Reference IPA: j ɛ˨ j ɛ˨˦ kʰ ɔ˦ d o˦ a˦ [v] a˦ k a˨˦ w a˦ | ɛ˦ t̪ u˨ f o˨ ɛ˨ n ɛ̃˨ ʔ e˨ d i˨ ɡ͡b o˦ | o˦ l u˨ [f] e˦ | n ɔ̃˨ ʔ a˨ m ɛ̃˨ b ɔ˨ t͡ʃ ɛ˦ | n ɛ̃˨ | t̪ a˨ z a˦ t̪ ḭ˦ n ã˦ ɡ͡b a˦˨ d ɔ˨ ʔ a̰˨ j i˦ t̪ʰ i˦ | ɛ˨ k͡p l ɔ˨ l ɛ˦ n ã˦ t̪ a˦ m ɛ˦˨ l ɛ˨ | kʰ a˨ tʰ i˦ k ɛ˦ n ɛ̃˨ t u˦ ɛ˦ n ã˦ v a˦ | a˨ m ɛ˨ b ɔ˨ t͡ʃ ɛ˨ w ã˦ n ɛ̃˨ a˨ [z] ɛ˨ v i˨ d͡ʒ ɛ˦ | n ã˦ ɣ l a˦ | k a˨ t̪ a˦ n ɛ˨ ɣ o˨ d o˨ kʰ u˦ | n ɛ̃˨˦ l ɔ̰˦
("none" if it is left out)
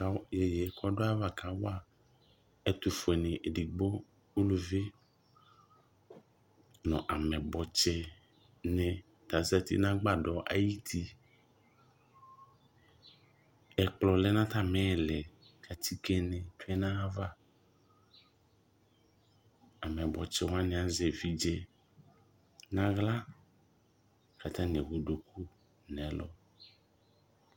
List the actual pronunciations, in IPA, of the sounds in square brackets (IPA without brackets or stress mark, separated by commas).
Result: v, v, z